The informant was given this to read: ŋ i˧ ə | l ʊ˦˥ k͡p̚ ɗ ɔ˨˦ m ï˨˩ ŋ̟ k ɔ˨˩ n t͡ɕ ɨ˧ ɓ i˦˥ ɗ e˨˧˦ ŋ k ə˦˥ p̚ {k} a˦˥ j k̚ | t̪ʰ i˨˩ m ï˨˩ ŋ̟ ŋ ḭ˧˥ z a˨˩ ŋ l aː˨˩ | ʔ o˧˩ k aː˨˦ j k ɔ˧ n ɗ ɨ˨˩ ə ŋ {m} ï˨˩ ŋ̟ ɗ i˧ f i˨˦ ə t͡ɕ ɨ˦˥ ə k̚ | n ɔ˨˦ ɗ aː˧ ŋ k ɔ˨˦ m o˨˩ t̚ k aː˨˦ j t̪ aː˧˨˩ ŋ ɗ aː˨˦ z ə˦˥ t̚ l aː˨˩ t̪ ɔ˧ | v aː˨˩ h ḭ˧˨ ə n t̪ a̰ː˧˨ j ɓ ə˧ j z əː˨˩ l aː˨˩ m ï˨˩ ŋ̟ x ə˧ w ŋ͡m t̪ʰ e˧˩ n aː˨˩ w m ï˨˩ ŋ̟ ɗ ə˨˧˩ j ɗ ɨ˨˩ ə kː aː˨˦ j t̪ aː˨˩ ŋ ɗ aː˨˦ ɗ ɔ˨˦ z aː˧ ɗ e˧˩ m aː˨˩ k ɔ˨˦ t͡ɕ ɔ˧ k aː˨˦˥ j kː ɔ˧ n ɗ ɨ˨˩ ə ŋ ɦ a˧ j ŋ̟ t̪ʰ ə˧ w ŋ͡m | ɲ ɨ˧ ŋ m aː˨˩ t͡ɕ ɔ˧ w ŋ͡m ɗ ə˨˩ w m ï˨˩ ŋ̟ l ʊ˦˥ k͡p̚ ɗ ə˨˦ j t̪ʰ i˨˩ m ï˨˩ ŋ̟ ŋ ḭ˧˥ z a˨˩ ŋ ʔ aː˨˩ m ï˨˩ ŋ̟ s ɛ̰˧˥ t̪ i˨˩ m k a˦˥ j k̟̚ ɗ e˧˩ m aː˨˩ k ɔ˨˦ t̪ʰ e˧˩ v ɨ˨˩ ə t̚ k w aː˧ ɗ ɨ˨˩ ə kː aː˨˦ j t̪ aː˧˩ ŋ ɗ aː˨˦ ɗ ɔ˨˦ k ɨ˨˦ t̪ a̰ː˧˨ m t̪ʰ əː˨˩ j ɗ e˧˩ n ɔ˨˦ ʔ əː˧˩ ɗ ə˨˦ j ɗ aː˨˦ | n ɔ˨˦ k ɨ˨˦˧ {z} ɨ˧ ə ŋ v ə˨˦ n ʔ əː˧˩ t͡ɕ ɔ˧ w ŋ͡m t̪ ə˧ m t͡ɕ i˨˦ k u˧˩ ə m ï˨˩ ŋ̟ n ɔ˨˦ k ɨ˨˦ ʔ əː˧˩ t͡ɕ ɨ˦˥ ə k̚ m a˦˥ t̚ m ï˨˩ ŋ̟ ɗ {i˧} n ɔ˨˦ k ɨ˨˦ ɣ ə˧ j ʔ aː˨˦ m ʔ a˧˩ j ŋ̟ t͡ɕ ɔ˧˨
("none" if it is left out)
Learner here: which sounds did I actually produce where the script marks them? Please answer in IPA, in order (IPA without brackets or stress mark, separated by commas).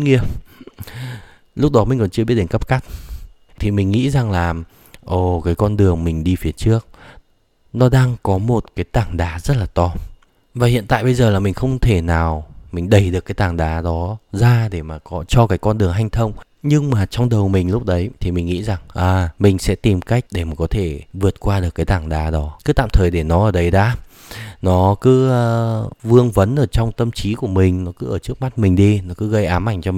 k, m, v, i˧